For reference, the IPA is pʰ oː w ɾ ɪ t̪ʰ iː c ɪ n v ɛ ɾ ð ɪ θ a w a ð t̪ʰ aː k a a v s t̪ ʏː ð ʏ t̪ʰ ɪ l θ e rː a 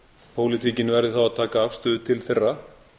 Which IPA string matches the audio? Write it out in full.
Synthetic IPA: pʰ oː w l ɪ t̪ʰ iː c ɪ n v ɛ ɾ ð ɪ θ a w a ð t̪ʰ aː k a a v s t̪ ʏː ð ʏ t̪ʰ ɪ l θ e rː a

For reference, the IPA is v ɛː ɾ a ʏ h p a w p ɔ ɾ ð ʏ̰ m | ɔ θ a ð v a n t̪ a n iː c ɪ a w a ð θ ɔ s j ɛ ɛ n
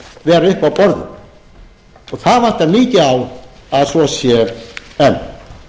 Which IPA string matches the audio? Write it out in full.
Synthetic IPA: v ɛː ɾ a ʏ h p a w p ɔ ɾ ð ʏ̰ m | ɔ θ a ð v a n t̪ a n iː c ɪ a w a ð s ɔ s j ɛ ɛ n

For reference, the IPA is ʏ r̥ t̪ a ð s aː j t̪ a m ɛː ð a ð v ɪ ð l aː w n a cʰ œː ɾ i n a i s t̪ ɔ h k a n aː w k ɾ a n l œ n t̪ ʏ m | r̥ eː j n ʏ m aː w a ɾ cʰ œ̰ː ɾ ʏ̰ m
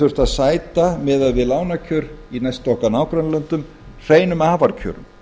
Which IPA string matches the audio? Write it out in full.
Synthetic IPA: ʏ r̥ t̪ a ð s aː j t̪ a m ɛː ð a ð v ɪ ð l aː w n a cʰ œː ɾ i n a j s t̪ ɔ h k a n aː w k ɾ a n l œ n t̪ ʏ m | r̥ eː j n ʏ m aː v a ɾ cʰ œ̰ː ɾ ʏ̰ m

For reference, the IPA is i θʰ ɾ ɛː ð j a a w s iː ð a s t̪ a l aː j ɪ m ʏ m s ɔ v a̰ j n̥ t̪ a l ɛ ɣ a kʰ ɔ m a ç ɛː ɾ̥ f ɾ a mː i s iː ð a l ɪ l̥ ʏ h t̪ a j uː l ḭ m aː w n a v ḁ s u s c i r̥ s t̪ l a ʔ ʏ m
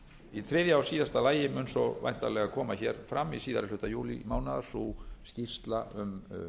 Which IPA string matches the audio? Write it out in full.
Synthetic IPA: i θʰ ɾ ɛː ð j a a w s iː ð a s t̪ a l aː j ɪ m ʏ n s ɔ v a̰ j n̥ t̪ a l ɛ ɣ a kʰ ɔː m a ç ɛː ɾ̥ f ɾ a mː i s iː ð a ɾ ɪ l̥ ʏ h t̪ a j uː l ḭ m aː w n a ð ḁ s u s c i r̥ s t̪ l a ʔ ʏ m

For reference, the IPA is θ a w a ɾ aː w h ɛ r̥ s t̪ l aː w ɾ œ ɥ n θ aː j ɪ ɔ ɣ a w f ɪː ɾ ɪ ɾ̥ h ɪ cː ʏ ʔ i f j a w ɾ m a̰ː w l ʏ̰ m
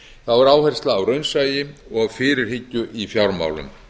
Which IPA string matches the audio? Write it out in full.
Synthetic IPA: θ a v a ɾ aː w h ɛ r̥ s t̪ l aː w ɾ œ ɥ n s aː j ɪ ɔ ɣ a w f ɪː ɾ ɪ ɾ̥ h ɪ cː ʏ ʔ i f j a w ɾ m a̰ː w l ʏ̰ m

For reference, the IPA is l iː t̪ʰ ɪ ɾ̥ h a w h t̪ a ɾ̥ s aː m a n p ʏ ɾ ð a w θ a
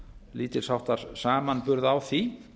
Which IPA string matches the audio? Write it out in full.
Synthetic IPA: l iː t̪ ɪ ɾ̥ s a w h t̪ a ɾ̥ s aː m a n p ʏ ɾ ð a w θ i

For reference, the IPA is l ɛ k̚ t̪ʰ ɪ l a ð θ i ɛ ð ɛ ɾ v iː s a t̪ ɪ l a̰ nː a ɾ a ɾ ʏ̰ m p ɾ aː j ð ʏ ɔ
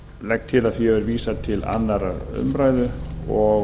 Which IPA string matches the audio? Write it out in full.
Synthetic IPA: l ɛ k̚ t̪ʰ ɪ l a ð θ i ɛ v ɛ ɾ v iː s a t̪ʰ ɪ l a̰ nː a ɾ a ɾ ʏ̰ m p ɾ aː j ð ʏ ɔ

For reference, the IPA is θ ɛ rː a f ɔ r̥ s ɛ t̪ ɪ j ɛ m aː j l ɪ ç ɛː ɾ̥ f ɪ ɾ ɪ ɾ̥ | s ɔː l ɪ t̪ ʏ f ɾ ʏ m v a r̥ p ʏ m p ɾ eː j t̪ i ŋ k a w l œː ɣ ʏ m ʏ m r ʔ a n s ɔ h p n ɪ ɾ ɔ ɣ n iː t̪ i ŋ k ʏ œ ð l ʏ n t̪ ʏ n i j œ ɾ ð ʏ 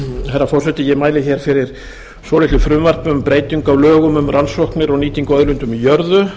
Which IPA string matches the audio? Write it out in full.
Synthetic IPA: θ ɛ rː a f ɔ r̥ s ɛ t̪ ɪ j ɛ m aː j l ɪ ç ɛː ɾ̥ f ɪ ɾ ɪ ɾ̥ | s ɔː l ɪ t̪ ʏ f ɾ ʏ m v a r̥ p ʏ m p ɾ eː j t̪ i ŋ k a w l œː ɣ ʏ m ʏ m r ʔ a n s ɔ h k n ɪ ɾ ɔ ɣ n iː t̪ i ŋ k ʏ œ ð l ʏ n t̪ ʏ m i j œ ɾ ð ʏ

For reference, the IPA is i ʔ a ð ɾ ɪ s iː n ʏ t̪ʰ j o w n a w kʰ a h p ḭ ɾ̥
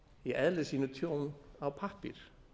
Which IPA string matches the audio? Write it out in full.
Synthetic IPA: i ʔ ɛ ð l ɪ s iː n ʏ t̪ʰ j o w n a w pʰ a h p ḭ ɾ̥

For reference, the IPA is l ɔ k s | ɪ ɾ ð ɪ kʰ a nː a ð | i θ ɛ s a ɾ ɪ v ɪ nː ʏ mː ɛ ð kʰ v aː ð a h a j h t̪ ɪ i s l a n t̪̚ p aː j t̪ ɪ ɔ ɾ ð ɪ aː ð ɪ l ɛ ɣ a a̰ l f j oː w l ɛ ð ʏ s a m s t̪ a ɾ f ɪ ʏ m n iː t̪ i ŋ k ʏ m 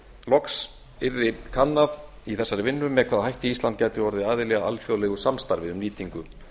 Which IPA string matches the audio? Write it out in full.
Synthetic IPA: l ɔ k s | ɪ ɾ ð ɪ kʰ a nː a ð | i θ ɛ sː a ɾ ɪ v ɪ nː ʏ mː ɛ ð kʰ v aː ð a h a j h t̪ ɪ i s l a n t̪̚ c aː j t̪ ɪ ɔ ɾ ð ɪ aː ð ɪ l ɛ ɣ a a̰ l f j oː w l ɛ ɣ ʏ s a m s t̪ a ɾ v ɪ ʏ m n iː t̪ i ŋ k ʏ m

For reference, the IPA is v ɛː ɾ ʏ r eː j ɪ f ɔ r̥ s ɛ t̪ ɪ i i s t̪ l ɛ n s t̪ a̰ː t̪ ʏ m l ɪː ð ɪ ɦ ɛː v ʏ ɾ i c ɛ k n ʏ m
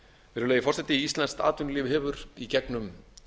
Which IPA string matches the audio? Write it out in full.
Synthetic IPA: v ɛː ɾ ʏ l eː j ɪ f ɔ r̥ s ɛ t̪ ɪ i i s t̪ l ɛ n s t̪ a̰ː t̪ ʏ n l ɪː v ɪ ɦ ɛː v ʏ ɾ i c ɛ k n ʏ m

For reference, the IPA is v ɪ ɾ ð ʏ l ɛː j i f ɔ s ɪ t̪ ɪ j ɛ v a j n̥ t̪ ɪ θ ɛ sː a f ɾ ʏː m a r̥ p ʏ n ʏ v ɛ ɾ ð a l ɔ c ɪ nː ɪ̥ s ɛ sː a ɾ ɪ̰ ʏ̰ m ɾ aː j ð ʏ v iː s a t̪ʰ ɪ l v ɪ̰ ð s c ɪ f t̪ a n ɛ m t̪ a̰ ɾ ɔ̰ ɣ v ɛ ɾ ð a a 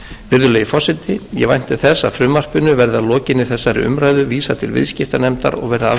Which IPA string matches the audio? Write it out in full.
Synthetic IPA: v ɪ ɾ ð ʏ l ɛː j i f ɔ s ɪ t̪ ɪ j ɛ v a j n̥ t̪ ɪ θ ɛ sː a f ɾ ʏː m a r̥ p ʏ n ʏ v ɛ ɾ ð a l ɔː c ɪ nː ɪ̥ θ ɛ sː a ɾ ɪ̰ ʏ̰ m ɾ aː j ð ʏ v iː s a t̪ʰ ɪ l v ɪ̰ ð s c ɪ f t̪ a n ɛ m t̪ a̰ ɾ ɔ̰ ɣ v ɛ ɾ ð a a

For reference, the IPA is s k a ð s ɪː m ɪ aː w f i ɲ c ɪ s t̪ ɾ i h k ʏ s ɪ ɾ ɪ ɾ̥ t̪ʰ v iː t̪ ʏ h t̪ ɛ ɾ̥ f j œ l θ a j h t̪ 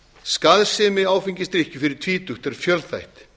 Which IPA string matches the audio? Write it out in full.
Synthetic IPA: s k a ð s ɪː m ɪ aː w f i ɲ c ɪ s t̪ ɾ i h c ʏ f ɪ ɾ ɪ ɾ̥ t̪ʰ v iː t̪ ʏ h t̪ ɛ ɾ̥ f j œ l θ a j h t̪

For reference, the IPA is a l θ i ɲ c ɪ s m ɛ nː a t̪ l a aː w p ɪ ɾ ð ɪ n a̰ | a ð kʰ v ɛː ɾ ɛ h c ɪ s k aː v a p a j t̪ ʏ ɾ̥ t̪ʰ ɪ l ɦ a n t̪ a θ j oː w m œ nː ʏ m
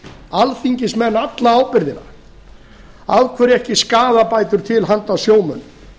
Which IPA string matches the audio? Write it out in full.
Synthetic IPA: a l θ i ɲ c ɪ s m ɛ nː a t̪ l a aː w p ɪ ɾ ð ɪ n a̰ | a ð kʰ v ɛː ɾ ɛ h c ɪ s k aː ð a p a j t̪ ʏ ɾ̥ t̪ʰ ɪ l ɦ a n t̪ a s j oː w m œ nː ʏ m

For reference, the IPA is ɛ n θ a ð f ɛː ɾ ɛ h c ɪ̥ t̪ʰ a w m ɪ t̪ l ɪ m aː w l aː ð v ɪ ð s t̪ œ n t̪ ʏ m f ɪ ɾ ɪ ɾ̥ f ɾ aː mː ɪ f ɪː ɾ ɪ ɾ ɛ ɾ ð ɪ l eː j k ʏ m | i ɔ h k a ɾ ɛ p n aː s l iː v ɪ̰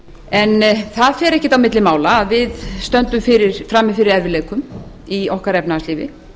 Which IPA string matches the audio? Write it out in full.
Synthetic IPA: ɛ n θ a ð f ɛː ɾ ɛ h c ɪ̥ t̪ a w m ɪ t̪ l ɪ m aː w l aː ð v ɪ ð s t̪ œ n t̪ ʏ m f ɪ ɾ ɪ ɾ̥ f ɾ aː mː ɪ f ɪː ɾ ɪ ɾ ɛ ɾ v ɪ l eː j k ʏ m | i ɔ h k a ɾ ɛ p n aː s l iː v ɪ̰

